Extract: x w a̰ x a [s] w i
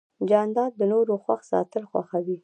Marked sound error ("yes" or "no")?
yes